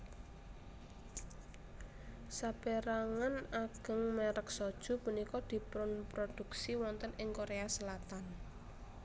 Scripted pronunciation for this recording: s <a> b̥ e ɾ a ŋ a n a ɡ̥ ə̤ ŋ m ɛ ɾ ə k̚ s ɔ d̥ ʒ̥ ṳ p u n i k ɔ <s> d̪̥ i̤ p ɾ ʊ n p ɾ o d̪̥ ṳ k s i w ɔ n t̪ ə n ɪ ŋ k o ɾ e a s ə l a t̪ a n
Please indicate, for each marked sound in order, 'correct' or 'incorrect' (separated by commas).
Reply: correct, incorrect